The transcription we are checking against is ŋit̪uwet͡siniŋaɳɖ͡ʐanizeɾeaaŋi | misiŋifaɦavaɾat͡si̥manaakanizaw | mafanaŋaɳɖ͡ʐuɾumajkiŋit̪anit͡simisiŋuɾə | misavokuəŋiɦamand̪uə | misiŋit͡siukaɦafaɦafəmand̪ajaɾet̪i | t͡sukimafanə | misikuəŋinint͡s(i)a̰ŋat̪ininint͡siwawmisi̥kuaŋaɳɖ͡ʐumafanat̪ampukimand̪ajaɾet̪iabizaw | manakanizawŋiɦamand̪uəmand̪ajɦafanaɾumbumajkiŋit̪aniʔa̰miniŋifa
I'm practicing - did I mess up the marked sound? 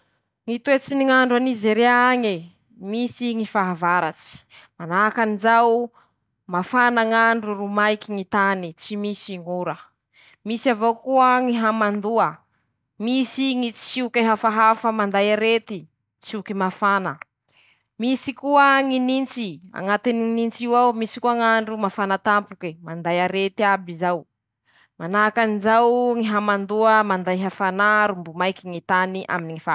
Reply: no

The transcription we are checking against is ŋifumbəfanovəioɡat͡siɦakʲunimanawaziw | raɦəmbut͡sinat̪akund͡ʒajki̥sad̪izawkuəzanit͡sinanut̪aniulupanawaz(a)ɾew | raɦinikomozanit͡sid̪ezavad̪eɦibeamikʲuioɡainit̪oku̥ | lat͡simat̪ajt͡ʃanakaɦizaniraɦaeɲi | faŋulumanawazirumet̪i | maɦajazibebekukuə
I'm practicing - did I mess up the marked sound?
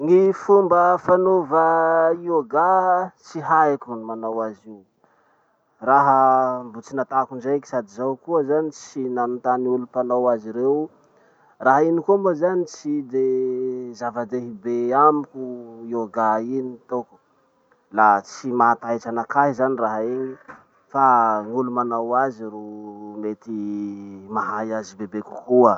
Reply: yes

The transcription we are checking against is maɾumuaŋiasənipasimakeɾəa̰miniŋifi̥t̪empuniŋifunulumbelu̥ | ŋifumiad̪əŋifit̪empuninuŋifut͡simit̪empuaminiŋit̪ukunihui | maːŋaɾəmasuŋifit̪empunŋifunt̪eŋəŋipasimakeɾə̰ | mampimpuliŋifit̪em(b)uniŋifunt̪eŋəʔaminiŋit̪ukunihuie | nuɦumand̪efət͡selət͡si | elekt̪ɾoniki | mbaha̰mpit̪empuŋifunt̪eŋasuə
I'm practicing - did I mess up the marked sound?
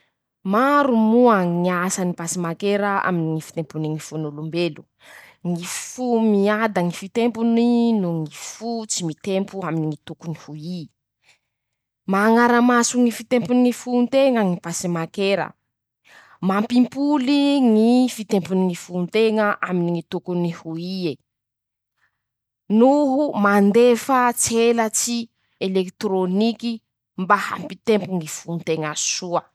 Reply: yes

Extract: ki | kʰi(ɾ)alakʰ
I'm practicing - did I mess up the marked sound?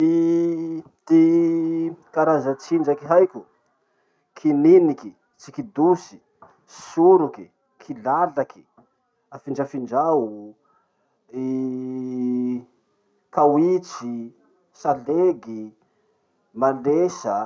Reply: yes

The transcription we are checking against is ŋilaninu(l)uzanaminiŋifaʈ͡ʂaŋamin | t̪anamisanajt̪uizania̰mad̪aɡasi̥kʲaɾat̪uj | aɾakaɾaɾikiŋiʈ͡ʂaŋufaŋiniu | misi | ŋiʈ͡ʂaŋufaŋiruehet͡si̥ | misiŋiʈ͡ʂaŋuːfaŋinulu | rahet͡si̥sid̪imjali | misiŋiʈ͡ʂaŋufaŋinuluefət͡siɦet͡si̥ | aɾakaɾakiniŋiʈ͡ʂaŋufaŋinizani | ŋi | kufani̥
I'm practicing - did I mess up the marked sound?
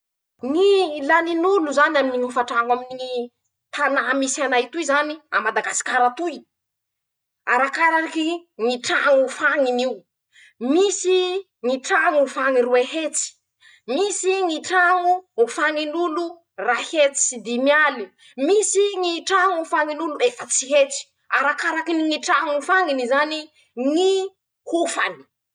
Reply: no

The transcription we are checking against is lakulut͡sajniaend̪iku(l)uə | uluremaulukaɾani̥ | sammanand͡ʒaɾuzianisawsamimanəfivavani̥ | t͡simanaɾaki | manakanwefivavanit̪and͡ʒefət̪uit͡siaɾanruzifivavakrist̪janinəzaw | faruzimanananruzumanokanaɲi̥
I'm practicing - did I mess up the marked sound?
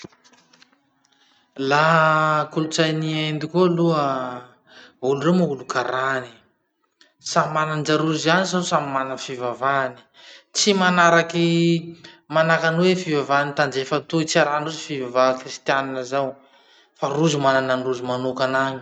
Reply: no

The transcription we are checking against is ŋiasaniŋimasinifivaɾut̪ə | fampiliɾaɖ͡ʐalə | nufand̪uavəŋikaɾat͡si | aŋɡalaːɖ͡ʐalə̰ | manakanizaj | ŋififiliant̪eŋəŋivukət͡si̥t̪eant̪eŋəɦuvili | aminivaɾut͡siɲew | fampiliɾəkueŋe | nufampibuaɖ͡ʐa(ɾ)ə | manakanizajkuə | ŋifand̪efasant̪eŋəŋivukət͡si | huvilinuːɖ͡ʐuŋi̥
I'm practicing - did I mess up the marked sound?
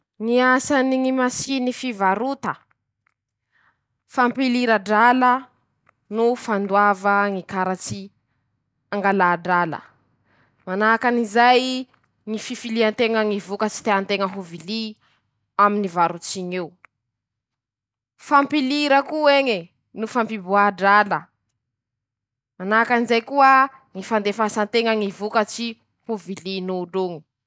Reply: yes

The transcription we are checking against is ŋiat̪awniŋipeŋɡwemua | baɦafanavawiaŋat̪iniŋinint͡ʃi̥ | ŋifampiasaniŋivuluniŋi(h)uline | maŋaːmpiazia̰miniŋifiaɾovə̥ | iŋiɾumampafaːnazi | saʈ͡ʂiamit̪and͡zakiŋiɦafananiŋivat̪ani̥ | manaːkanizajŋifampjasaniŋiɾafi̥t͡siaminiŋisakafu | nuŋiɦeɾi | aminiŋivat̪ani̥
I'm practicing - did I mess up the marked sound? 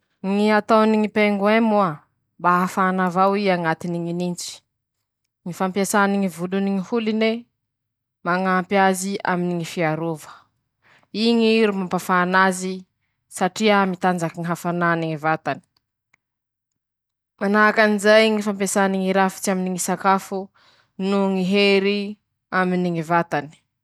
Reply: no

